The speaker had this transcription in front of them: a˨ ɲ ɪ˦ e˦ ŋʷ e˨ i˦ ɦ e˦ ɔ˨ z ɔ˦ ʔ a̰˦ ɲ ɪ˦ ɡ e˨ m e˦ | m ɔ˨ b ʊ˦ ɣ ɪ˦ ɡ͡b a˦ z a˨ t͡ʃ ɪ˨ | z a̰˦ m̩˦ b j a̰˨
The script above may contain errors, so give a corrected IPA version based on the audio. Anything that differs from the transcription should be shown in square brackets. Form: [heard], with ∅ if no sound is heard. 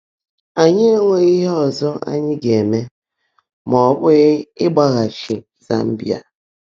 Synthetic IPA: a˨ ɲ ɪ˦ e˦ ŋʷ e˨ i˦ ɦ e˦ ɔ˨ z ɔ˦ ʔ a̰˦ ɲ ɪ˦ ɡ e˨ m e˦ | m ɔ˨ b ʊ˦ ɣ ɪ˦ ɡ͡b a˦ [ɣ] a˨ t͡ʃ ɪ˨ | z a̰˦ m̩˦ b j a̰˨